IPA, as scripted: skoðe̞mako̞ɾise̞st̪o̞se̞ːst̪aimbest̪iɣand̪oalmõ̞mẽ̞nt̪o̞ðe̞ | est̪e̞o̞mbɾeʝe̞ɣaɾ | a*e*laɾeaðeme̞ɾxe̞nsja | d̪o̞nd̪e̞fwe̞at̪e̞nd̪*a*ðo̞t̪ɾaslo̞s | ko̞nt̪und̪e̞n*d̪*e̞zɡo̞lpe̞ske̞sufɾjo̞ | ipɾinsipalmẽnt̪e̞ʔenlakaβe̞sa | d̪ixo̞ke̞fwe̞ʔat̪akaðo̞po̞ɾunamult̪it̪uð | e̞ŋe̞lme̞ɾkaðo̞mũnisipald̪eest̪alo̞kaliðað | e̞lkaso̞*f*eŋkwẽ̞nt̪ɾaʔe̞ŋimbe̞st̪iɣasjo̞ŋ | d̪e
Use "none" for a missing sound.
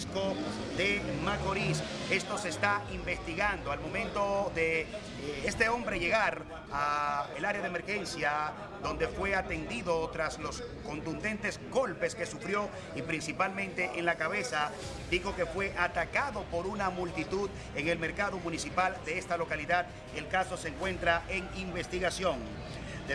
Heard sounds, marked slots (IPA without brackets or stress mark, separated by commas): e, i, t̪, s